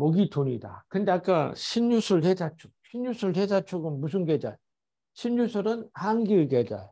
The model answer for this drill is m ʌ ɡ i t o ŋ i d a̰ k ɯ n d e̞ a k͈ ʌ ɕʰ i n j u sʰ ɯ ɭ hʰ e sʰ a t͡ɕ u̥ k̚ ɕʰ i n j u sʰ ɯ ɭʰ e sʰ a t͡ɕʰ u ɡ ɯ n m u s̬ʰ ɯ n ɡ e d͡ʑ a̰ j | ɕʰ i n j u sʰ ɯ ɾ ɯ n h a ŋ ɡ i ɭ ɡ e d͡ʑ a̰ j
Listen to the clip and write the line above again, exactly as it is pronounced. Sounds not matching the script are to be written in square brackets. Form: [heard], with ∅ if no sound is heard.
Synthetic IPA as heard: m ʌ ɡ i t o [ɲ] i d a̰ k ɯ n d e̞ a k͈ [a] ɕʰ i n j u sʰ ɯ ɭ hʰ e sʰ a [t͡ɕʰ] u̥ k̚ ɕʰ i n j u sʰ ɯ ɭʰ e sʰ a t͡ɕʰ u ɡ ɯ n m u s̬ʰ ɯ n ɡ e d͡ʑ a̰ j | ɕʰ i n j u sʰ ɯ ɾ ɯ n h a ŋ ɡ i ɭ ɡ e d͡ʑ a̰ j